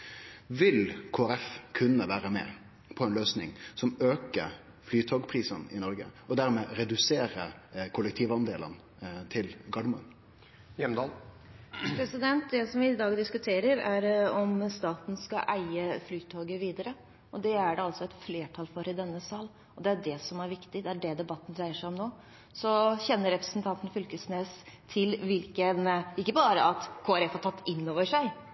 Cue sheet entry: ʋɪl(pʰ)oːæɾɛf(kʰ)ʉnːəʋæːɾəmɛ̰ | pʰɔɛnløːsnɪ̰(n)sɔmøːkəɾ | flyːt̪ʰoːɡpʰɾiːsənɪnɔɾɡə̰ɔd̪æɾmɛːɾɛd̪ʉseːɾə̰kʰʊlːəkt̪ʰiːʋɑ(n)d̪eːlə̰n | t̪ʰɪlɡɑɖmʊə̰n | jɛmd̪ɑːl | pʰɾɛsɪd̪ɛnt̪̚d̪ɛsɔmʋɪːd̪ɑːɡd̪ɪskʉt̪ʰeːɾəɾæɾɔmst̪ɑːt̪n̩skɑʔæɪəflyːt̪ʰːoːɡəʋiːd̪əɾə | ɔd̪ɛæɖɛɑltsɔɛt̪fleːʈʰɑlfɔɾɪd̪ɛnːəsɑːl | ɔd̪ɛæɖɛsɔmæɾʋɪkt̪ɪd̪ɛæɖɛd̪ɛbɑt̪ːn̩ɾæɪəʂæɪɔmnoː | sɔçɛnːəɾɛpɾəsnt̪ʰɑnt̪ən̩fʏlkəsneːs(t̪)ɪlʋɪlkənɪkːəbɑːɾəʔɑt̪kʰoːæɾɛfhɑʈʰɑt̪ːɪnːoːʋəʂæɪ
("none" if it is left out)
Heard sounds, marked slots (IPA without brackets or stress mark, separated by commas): kʰ, kʰ, ŋ, n, t̪ʰ